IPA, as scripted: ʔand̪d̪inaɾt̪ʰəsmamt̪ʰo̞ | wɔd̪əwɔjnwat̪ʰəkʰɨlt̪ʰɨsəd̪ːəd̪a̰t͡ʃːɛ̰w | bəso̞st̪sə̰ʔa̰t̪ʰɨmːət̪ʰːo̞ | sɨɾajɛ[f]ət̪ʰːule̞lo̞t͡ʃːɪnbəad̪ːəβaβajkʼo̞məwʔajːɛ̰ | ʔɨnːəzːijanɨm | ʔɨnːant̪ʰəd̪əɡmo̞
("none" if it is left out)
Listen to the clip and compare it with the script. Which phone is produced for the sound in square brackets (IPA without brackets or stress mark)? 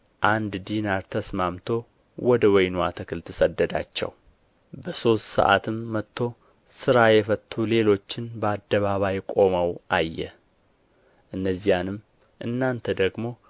f